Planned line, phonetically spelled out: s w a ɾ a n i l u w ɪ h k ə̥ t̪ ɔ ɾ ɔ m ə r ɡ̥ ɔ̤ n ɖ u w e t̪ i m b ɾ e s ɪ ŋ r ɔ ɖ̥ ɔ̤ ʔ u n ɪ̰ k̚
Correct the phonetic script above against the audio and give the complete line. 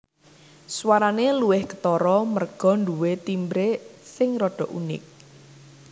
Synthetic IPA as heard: s w a ɾ a n e l u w ɪ h k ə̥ t̪ ɔ ɾ ɔ m ə r ɡ̥ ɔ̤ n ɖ u w e t̪ i m b ɾ e s ɪ ŋ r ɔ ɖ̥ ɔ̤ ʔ u n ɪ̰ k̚